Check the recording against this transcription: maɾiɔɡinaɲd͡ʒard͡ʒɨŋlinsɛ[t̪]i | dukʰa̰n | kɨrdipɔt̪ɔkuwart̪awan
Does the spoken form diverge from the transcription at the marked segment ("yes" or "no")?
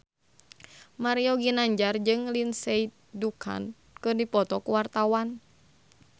yes